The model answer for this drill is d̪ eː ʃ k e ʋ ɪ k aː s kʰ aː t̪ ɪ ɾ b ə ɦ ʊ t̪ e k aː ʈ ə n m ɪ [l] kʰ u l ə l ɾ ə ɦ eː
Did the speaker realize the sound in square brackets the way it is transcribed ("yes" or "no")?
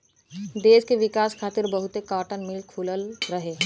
yes